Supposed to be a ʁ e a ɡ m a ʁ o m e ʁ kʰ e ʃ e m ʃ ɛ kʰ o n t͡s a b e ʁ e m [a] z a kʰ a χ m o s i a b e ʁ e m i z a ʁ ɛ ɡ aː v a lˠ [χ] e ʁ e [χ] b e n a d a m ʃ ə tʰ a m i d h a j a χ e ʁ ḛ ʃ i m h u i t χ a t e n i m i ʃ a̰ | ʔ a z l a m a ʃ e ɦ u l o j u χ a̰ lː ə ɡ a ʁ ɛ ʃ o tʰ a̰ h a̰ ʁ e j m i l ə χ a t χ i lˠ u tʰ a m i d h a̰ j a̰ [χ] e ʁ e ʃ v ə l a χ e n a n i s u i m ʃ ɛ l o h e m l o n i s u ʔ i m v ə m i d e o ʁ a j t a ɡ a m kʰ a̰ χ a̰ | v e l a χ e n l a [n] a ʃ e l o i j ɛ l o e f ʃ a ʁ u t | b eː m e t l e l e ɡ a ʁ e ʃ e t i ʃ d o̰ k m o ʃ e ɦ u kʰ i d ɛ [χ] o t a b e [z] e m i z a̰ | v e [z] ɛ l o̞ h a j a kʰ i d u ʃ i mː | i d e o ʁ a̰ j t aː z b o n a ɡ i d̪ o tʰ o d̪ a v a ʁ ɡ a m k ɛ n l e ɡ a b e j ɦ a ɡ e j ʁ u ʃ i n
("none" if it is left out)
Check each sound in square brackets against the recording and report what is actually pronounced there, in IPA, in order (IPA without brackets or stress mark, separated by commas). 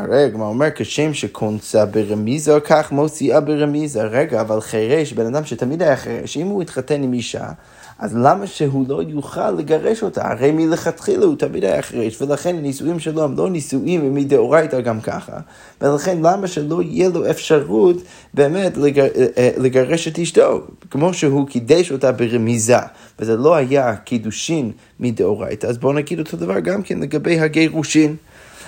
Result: i, χ, ʃ, χ, m, ʃ, ʁ, z